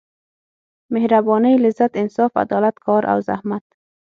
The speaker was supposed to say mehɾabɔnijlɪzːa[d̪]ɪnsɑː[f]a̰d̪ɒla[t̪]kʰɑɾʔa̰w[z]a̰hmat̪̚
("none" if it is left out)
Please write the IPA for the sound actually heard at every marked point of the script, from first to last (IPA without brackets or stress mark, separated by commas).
t̪, f, t̪, z